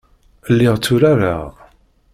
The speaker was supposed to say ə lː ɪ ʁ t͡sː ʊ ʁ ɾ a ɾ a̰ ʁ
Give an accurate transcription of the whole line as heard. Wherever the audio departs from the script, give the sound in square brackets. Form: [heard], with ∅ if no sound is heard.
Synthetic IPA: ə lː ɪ ʁ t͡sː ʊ [∅] ɾ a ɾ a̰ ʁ